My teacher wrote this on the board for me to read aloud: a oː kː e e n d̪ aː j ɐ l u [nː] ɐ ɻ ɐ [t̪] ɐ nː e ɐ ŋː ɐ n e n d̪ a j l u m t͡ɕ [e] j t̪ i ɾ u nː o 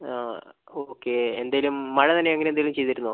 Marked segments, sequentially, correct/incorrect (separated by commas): incorrect, correct, correct